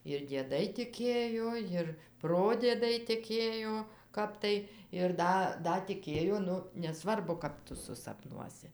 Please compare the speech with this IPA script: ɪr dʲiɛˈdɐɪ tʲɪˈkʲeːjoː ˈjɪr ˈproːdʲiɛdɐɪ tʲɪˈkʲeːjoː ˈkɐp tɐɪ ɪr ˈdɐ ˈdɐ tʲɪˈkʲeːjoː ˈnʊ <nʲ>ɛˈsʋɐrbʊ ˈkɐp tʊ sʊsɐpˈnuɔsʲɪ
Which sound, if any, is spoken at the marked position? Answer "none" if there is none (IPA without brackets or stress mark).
nʲ